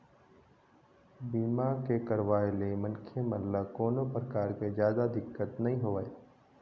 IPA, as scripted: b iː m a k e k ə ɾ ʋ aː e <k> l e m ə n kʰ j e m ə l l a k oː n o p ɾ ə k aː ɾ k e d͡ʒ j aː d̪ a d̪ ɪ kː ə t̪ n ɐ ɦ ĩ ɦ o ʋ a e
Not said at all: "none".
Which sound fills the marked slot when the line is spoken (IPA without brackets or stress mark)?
none